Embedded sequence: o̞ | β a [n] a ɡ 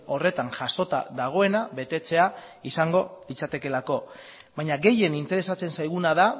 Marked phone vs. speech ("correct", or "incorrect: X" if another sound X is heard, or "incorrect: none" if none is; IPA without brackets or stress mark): incorrect: ɲ